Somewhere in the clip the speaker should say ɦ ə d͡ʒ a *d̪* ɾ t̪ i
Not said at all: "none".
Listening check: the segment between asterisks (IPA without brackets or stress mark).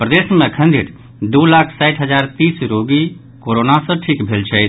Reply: none